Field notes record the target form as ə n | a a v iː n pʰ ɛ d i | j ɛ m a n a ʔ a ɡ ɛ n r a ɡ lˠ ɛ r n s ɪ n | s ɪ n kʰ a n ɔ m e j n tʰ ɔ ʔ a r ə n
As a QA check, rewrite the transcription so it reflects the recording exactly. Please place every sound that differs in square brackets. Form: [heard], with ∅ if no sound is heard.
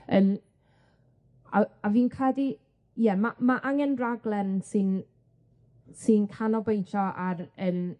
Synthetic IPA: ə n | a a v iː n [kʰ] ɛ d i | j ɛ m a [m] a ʔ a [ŋ] ɛ n r a ɡ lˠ ɛ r n s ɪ n | s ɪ n kʰ a n ɔ [b] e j n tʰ ɔ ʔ a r ə n